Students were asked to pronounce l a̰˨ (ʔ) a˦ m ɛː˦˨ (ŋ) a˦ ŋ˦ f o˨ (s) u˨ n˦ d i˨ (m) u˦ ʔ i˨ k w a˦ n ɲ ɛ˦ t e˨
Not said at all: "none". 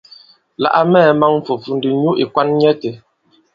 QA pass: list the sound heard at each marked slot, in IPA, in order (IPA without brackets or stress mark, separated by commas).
ʔ, m, f, ɲ